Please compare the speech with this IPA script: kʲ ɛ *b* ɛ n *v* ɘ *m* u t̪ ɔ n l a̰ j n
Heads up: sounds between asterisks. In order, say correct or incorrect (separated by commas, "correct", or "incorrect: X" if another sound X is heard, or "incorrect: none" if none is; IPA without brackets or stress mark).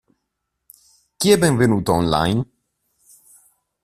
correct, correct, incorrect: n